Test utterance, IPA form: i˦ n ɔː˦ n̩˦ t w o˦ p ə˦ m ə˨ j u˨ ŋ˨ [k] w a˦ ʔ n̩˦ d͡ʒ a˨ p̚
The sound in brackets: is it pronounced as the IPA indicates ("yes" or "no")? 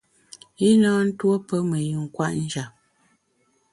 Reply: yes